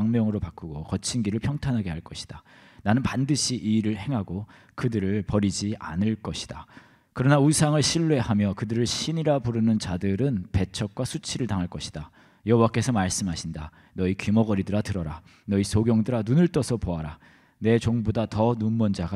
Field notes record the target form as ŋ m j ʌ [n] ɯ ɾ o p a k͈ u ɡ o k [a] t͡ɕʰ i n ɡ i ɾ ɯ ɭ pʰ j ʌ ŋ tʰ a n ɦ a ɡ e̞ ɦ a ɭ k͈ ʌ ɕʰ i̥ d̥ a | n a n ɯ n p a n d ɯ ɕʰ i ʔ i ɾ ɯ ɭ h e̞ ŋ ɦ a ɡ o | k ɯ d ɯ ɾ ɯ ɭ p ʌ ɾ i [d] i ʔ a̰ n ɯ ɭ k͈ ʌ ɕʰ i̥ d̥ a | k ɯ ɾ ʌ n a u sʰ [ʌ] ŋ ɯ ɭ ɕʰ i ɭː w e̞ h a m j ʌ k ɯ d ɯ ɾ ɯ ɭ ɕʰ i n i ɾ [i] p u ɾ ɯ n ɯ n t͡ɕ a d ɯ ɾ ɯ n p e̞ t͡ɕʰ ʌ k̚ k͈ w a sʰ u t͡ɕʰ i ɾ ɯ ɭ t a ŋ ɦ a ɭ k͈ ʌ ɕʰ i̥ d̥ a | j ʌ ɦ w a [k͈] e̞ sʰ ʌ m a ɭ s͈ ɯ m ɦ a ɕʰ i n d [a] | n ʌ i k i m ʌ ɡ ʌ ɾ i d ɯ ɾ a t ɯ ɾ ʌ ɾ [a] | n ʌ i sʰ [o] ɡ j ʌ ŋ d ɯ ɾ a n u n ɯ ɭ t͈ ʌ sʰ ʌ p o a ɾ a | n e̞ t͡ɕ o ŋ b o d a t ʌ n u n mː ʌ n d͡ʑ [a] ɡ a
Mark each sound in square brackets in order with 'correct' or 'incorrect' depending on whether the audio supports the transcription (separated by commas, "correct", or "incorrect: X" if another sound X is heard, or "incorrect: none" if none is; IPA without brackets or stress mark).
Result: incorrect: ŋ, incorrect: ʌ, incorrect: d͡ʑ, incorrect: a, incorrect: a, correct, correct, correct, correct, correct